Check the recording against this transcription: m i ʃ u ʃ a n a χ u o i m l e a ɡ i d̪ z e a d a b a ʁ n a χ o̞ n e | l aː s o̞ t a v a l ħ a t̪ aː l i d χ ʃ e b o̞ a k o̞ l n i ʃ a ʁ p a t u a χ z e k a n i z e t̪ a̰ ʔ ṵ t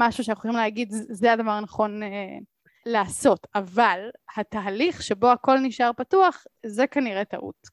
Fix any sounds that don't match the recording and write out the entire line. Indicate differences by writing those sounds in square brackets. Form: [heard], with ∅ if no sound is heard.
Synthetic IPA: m [a] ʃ u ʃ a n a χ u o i m l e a ɡ i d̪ z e a d a [v] a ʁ n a χ o̞ n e | l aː s o̞ t a v a l [h] a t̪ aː l i [∅] χ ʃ e b o̞ a k o̞ l n i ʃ a ʁ p a t u a χ z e k a n i [ʁ] e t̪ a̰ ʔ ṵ t